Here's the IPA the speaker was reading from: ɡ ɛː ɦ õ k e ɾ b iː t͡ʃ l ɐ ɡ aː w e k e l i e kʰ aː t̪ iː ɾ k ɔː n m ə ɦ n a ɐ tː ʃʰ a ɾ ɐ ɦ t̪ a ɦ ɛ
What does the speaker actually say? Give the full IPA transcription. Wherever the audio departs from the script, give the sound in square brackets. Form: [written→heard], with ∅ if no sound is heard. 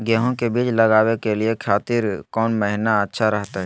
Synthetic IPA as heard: ɡ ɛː ɦ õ k e [ɾ→∅] b iː t͡ʃ l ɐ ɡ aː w e k e l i e kʰ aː t̪ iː ɾ k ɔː n m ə ɦ n a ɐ tː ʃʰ a ɾ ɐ ɦ t̪ a ɦ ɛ